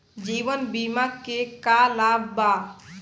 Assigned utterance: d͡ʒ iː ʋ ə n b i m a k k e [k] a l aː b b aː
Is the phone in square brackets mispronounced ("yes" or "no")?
no